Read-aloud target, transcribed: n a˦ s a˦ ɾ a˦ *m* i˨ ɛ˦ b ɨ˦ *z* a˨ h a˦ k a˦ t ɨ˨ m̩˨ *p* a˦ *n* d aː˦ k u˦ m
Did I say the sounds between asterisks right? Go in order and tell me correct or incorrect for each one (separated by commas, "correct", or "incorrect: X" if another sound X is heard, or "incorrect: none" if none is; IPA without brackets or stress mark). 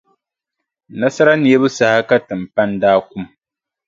incorrect: n, incorrect: s, correct, correct